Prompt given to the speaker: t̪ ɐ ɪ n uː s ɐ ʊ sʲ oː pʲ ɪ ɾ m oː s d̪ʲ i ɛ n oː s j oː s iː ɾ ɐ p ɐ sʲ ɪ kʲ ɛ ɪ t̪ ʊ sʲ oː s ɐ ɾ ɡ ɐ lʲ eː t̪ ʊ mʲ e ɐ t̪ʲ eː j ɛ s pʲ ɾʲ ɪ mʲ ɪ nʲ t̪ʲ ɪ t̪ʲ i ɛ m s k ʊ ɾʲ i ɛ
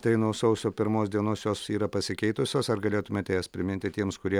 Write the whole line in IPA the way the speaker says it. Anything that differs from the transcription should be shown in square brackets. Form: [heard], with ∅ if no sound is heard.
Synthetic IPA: t̪ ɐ ɪ n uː s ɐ ʊ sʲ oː pʲ ɪ ɾ m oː s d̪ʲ i ɛ n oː s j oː s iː ɾ ɐ p ɐ sʲ ɪ kʲ ɛ ɪ t̪ ʊ sʲ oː s ɐ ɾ ɡ ɐ lʲ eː t̪ ʊ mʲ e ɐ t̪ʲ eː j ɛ s pʲ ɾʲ ɪ mʲ ɪ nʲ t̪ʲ ɪ t̪ʲ i ɛ m s k ʊ ɾʲ i ɛ